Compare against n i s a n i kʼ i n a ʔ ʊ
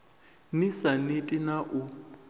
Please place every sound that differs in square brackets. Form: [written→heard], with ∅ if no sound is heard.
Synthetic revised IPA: n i s a n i [kʼ→tʼ] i n a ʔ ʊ